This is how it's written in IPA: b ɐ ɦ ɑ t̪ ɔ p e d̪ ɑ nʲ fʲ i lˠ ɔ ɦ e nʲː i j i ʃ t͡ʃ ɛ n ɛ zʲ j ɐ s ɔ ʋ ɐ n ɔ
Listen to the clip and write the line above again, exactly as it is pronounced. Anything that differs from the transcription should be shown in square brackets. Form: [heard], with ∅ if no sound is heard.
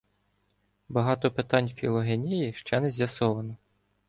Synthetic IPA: b ɐ ɦ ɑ t̪ ɔ p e [t̪] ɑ nʲ fʲ i lˠ ɔ ɦ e [nʲ] i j i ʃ t͡ʃ ɛ n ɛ zʲ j ɐ s ɔ ʋ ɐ n ɔ